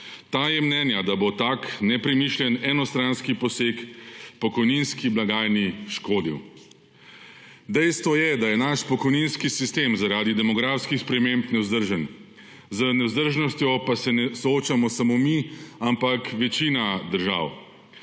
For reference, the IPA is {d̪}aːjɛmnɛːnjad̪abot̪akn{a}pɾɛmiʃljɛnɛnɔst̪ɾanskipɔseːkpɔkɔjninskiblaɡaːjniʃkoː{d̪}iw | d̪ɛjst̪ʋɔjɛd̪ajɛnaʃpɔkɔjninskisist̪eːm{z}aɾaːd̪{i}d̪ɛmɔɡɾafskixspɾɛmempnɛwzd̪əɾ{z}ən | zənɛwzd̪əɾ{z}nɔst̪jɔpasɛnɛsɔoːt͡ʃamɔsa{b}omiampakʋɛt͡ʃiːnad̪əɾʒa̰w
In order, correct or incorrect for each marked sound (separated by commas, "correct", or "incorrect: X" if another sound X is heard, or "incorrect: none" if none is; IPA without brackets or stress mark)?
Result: incorrect: t̪, incorrect: ɛ, correct, correct, correct, incorrect: ʒ, incorrect: ʒ, incorrect: m